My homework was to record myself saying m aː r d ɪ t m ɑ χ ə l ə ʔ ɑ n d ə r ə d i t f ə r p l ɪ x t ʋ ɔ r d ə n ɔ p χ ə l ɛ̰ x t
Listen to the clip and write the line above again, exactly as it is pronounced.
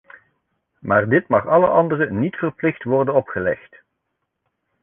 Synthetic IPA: m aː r d ɪ t m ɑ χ ɑ l ə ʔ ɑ n d ə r ə n i t f ə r p l ɪ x t ʋ ɔ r d ə n ɔ p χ ə l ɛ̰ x t